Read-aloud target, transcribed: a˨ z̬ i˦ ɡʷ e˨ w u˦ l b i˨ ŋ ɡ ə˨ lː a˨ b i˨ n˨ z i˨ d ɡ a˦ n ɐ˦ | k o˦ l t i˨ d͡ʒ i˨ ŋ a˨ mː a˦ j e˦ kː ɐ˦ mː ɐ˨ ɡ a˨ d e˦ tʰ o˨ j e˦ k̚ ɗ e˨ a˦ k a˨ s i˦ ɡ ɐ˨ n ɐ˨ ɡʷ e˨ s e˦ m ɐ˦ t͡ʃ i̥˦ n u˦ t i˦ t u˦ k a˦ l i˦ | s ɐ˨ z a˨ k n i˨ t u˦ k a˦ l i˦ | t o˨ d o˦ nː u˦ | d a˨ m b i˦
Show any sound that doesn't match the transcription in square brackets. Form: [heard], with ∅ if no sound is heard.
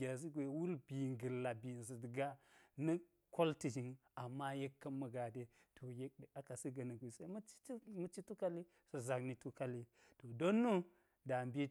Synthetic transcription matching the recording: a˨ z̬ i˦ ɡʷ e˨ w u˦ l b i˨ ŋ ɡ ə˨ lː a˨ b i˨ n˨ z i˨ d ɡ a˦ n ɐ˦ | k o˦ l t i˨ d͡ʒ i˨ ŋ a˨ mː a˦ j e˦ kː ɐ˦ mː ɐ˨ ɡ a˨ d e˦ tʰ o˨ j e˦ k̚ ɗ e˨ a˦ k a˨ s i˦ ɡ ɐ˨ n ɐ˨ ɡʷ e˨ s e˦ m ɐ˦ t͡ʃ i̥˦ [m] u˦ [t͡ʃ] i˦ t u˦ k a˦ l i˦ | s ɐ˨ z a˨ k n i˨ t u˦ k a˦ l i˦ | t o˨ d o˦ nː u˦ | d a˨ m b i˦